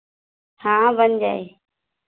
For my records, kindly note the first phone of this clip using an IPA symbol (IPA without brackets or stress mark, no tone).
h